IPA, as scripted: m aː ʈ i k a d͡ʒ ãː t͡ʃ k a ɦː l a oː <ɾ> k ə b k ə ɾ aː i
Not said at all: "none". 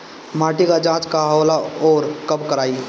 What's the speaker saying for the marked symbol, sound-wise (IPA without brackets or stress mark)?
ɾ